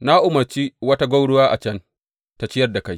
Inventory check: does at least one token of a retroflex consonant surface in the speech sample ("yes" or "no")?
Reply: yes